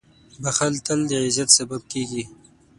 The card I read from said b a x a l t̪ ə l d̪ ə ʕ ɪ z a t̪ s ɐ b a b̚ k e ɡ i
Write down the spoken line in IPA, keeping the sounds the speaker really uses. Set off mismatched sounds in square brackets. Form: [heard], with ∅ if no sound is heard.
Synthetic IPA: b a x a l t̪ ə l d̪ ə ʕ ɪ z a t̪ s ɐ b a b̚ k e ɡ i